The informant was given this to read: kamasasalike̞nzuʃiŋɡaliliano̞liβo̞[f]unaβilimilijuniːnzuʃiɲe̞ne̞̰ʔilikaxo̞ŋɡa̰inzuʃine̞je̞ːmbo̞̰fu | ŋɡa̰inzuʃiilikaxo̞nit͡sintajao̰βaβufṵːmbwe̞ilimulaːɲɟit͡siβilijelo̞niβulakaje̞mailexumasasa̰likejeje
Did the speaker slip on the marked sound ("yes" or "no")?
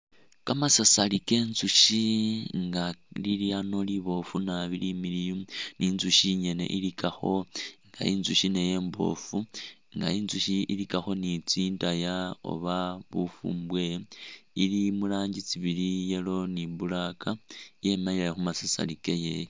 no